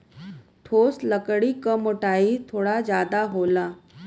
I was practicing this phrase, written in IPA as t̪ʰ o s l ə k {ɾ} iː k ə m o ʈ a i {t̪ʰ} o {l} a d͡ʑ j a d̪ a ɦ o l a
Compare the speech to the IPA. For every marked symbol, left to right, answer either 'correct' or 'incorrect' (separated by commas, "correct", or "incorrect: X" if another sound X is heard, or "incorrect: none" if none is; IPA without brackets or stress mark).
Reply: incorrect: ɽ, correct, incorrect: ɽ